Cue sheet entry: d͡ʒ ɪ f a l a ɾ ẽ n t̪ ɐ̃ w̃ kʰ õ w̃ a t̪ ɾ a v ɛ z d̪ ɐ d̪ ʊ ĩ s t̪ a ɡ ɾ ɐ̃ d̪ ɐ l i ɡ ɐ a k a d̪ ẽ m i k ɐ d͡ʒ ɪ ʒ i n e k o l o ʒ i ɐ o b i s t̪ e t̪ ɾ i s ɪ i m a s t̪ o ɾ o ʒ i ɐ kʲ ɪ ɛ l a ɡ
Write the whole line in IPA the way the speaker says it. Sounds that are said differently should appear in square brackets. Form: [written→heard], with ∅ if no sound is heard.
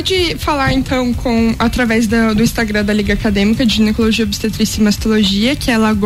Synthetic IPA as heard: d͡ʒ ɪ f a l a ɾ ẽ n t̪ ɐ̃ w̃ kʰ õ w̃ a t̪ ɾ a v ɛ z d̪ ɐ d̪ ʊ ĩ s t̪ a ɡ ɾ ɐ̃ d̪ ɐ l i ɡ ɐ a k a d̪ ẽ m i k ɐ d͡ʒ ɪ ʒ i n e k o l o ʒ i ɐ o b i s t̪ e t̪ ɾ i s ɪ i m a s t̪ o [ɾ→l] o ʒ i ɐ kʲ ɪ ɛ l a ɡ